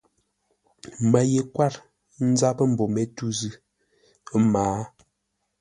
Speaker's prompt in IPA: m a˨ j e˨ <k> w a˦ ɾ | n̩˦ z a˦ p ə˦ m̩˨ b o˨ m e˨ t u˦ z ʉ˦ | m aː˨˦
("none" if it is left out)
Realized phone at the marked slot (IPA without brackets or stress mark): k